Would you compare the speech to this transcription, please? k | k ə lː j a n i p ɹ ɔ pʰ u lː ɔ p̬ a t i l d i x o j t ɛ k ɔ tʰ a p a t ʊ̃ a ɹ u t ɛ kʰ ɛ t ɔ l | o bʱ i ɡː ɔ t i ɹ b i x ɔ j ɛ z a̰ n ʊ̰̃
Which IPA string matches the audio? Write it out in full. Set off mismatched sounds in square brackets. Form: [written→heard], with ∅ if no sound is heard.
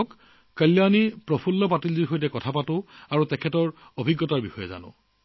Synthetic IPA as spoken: k | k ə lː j a n i p ɹ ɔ pʰ u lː ɔ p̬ a t i l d i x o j t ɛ k ɔ tʰ a p a t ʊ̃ a ɹ u t ɛ kʰ ɛ t ɔ [l→ɹ] | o bʱ i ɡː ɔ t [i→a] ɹ b i x ɔ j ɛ z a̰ n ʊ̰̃